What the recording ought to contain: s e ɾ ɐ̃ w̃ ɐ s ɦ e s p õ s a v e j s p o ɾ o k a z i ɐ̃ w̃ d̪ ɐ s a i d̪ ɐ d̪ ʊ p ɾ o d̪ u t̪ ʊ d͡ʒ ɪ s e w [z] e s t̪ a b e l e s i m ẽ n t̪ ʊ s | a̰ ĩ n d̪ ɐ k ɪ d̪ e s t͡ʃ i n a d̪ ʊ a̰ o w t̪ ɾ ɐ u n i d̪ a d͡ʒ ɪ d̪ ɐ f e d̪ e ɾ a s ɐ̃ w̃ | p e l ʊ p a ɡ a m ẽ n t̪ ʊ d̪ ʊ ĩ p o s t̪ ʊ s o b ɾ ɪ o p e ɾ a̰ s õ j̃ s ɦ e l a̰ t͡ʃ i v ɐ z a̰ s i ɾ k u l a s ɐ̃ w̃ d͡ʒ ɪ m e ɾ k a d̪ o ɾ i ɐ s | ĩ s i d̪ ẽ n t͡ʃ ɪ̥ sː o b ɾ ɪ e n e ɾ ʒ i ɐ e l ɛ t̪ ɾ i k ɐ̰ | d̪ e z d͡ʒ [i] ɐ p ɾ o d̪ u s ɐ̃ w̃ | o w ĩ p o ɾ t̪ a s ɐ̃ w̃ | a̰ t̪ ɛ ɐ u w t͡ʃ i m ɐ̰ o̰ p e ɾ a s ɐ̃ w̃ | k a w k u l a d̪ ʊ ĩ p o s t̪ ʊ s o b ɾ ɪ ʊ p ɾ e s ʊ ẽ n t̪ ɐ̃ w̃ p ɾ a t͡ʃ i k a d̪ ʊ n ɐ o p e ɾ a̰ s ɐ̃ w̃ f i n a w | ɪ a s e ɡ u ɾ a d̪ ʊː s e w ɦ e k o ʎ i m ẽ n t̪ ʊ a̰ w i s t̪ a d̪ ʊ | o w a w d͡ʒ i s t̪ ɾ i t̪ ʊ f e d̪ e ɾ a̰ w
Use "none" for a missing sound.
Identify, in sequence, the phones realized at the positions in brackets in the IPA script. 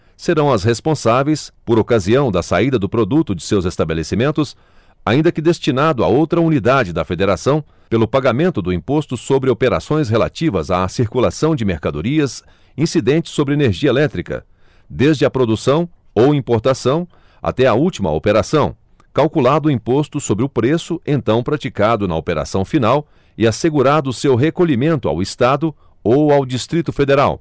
z, ɪ

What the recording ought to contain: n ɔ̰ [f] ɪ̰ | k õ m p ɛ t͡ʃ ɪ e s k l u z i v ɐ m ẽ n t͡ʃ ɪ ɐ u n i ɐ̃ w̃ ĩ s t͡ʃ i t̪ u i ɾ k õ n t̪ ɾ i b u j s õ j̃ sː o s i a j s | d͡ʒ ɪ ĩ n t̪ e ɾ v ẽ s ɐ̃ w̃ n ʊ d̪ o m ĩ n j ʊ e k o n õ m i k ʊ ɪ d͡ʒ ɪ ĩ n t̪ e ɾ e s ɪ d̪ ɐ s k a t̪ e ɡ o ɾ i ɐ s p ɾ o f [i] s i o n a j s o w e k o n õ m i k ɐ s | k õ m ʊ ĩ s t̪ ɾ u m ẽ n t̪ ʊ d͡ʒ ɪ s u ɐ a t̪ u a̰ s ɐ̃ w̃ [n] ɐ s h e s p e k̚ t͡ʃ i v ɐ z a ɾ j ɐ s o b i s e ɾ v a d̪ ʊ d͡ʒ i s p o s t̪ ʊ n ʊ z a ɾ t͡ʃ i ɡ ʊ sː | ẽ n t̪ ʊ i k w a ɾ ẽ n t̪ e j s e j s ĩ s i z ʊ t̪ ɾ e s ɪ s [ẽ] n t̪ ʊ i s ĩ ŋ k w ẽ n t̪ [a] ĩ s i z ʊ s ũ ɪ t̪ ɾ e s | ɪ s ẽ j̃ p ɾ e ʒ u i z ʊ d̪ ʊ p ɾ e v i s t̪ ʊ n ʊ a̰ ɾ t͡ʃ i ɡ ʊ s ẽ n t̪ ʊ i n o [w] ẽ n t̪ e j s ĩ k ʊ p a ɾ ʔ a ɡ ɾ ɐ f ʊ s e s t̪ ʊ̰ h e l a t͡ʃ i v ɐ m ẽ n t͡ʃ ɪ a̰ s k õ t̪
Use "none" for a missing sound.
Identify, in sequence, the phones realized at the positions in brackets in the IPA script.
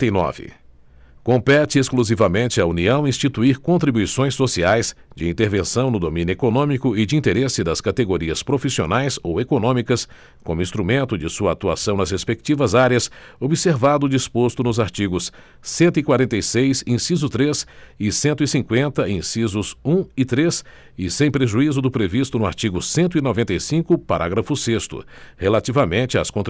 v, i, n, ẽ, ɐ, v

